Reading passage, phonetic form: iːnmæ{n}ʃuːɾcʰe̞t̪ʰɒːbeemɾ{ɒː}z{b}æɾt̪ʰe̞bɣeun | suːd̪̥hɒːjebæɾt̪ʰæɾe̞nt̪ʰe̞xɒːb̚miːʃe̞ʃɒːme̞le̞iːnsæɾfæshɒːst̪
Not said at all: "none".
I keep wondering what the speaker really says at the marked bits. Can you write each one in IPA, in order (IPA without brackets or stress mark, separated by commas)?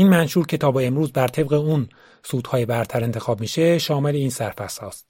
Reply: n, uː, b